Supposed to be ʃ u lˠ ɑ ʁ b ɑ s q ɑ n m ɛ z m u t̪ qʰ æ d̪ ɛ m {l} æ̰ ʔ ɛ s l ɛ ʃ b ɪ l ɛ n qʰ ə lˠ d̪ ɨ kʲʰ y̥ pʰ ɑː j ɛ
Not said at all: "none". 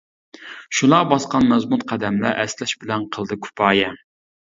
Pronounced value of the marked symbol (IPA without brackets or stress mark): l